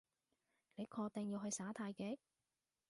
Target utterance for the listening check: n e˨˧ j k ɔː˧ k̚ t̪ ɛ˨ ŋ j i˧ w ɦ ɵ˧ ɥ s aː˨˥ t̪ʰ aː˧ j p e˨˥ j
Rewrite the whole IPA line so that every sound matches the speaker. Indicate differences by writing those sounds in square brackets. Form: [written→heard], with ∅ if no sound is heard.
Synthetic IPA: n e˨˧ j [k→kʰ] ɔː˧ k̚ t̪ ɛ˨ ŋ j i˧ w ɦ ɵ˧ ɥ s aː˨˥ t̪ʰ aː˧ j [p→k] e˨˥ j